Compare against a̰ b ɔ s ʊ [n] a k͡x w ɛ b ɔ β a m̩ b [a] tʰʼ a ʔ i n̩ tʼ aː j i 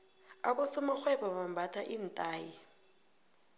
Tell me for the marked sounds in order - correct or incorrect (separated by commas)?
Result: incorrect, correct